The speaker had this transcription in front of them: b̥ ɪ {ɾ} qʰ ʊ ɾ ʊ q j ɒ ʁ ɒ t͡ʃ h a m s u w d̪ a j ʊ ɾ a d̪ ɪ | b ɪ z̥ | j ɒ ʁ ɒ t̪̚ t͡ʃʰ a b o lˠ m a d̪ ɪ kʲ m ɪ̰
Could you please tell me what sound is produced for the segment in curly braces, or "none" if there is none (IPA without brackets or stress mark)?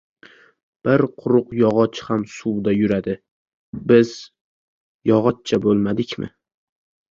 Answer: ɾ